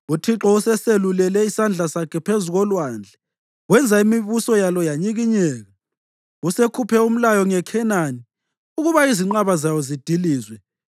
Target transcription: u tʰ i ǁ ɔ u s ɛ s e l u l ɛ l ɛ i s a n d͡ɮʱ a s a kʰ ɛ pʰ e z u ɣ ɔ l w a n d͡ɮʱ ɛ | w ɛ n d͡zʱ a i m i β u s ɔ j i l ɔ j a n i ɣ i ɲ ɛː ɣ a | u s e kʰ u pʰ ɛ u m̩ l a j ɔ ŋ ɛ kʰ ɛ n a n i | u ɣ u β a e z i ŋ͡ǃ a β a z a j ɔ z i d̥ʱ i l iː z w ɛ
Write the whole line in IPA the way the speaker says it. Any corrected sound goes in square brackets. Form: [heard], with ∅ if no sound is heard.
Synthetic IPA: u tʰ i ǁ ɔ u s ɛ s e l u l ɛ l ɛ i s a n d͡ɮʱ a s a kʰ ɛ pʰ e z u ɣ ɔ l w a n d͡ɮʱ ɛ | w ɛ n d͡zʱ a i m i β u s ɔ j [a] l ɔ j a [ɲ] i ɣ i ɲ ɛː ɣ a | u s e kʰ u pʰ ɛ u m̩ l a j ɔ ŋ ɛ kʰ ɛ n a n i | u ɣ u β a [i] z i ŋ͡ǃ a β a z a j ɔ z i d̥ʱ i l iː z w ɛ